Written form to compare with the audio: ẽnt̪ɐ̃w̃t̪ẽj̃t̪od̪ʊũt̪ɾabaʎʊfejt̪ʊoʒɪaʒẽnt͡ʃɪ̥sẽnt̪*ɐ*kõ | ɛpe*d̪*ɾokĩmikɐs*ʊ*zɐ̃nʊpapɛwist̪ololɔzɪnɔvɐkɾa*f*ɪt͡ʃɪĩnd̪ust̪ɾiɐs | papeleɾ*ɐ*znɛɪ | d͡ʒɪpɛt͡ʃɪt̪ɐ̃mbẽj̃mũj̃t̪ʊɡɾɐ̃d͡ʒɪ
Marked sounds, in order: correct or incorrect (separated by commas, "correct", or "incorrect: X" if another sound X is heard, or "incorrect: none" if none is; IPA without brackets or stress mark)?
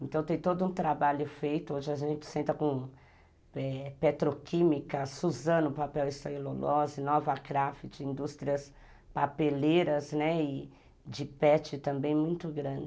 correct, incorrect: t̪, incorrect: u, correct, correct